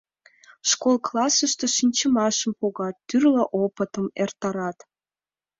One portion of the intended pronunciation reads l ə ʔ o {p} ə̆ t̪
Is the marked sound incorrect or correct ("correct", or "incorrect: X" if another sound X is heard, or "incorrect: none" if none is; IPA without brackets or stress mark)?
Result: correct